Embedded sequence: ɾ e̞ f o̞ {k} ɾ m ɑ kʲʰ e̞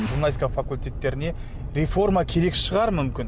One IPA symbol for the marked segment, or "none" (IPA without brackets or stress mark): none